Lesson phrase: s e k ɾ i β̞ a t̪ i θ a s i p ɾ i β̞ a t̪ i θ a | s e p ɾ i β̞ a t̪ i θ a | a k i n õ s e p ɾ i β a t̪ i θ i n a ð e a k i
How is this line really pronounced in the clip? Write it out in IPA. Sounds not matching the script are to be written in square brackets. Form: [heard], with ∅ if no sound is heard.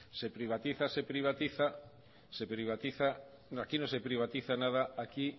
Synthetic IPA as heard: s e [p] ɾ i β̞ a t̪ i θ a s [e] p ɾ i β̞ a t̪ i θ a | s e p ɾ i β̞ a t̪ i θ a | a k i n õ s e p ɾ i β a t̪ i θ [a] n a ð [a] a k i